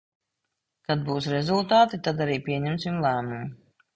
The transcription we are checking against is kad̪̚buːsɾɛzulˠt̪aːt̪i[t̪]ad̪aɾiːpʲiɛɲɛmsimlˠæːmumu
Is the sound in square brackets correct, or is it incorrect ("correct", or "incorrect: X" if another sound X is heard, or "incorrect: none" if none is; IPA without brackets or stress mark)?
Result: correct